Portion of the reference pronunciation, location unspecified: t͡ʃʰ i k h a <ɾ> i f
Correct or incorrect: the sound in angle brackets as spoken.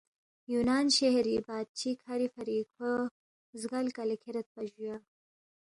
correct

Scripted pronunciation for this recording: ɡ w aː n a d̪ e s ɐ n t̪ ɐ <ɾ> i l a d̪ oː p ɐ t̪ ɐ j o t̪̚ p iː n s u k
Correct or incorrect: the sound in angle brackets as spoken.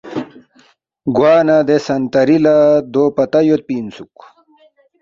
correct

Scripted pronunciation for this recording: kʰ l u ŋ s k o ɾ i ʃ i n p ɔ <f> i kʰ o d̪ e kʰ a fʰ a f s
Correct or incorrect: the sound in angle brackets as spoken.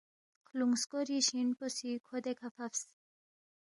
incorrect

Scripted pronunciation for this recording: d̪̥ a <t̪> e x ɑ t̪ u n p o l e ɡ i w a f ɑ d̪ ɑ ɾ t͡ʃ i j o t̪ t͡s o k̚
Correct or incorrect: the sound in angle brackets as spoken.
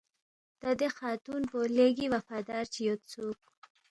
incorrect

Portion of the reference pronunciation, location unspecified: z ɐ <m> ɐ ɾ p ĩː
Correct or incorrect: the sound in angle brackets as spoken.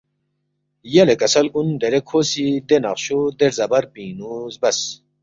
incorrect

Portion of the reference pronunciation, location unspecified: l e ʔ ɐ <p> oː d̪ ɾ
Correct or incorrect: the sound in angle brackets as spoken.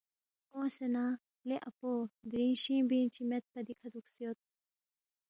correct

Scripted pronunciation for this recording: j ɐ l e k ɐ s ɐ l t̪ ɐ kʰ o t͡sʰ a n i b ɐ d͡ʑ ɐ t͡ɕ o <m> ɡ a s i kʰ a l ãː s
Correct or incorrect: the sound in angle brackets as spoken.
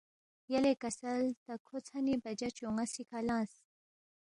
incorrect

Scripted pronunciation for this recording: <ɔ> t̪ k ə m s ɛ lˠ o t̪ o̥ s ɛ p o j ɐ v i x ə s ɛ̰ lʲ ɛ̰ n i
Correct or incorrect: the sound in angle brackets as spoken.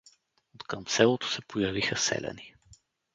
incorrect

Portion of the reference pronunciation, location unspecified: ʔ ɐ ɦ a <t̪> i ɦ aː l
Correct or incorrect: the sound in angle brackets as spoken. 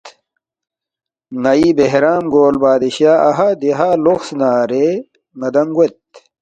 incorrect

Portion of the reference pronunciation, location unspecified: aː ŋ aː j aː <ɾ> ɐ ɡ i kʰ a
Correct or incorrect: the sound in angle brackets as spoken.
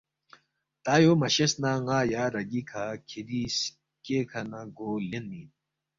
correct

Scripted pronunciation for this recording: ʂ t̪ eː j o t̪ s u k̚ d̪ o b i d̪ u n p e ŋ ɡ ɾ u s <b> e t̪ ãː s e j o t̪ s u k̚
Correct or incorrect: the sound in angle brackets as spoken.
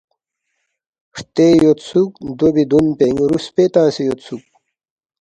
incorrect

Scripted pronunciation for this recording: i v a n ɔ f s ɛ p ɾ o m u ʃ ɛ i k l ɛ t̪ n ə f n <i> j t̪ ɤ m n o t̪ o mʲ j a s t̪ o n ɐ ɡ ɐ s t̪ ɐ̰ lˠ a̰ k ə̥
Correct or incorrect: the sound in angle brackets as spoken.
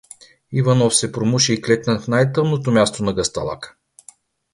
incorrect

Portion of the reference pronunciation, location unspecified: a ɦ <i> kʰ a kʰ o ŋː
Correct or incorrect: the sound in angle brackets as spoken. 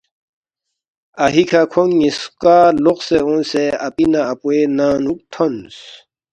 correct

